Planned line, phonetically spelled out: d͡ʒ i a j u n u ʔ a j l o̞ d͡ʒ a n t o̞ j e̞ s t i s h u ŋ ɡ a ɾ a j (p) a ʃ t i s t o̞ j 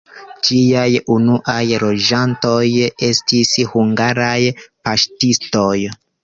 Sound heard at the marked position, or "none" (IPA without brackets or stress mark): p